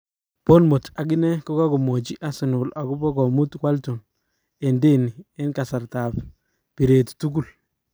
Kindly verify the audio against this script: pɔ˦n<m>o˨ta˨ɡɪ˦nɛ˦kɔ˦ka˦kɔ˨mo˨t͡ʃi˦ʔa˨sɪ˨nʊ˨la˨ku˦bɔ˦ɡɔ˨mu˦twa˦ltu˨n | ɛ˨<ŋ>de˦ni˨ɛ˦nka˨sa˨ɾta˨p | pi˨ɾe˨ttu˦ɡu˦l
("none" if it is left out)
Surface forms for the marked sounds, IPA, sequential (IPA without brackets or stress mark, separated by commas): m, n